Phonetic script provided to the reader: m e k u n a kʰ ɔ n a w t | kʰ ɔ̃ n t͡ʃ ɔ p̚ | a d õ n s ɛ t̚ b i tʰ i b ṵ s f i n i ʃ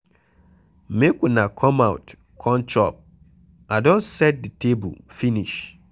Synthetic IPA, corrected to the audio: m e k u n a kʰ ɔ m a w t | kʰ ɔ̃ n t͡ʃ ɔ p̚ | a d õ n s ɛ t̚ d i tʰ e b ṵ f i n i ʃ